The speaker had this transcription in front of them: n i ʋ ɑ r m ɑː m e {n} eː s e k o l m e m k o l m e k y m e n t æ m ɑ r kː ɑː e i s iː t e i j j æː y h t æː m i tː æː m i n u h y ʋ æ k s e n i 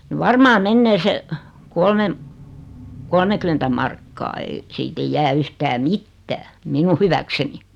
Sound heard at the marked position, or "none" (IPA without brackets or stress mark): nː